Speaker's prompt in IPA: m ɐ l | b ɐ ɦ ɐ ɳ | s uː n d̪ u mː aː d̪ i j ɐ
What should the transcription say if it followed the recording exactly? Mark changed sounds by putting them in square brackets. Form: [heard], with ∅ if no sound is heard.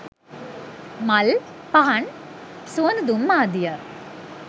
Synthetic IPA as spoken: m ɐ l | [p] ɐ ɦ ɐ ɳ | s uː n d̪ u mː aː d̪ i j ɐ